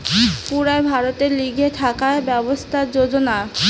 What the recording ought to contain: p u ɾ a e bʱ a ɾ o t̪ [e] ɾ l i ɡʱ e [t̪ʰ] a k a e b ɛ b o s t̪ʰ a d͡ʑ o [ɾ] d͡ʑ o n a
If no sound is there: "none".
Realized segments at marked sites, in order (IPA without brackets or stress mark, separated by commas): e, t̪ʰ, none